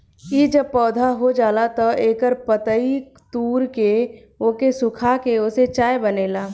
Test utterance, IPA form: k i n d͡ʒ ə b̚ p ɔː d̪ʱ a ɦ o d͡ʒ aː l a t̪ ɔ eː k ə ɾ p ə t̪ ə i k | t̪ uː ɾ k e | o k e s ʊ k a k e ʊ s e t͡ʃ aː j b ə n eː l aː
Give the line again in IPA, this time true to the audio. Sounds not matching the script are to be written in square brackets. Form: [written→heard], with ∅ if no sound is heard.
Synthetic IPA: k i [n→∅] d͡ʒ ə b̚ p ɔː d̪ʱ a ɦ o d͡ʒ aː l a t̪ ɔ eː k ə ɾ p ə t̪ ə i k | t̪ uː ɾ k e | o k e s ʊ [k→kʰ] a k e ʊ s e t͡ʃ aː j b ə n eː l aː